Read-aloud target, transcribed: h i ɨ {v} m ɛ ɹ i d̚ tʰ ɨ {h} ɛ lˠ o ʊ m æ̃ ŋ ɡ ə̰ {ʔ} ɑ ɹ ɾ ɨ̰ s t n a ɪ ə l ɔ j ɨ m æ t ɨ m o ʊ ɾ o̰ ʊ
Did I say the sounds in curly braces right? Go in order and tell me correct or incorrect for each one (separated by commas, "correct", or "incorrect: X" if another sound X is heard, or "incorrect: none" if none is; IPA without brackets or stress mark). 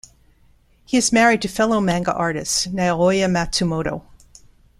incorrect: z, incorrect: f, correct